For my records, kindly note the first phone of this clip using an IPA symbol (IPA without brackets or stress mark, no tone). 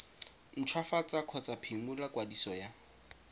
n̩